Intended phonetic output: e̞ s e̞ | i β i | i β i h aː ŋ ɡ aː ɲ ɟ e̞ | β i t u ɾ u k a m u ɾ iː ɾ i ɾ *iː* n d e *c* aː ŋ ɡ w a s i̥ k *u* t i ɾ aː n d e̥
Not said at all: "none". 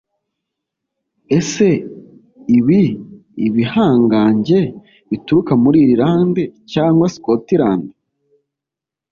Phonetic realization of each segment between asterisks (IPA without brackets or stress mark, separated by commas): aː, c, o